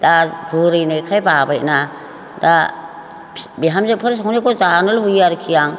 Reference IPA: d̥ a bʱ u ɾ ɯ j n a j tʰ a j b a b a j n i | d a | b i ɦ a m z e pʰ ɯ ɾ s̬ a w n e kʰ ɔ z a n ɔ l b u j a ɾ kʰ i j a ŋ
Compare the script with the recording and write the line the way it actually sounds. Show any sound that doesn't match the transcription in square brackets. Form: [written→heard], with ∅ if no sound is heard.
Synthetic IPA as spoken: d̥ a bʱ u ɾ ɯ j n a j [tʰ→kʰ] a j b a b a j n [i→a] | d a | b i ɦ a m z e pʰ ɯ ɾ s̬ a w n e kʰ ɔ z a n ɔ l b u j a ɾ kʰ i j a ŋ